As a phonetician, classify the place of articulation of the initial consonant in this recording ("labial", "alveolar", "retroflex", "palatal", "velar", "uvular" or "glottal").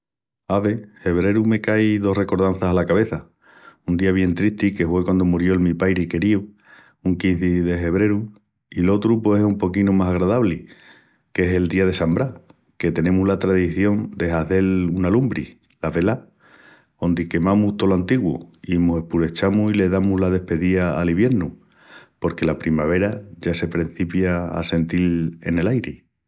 labial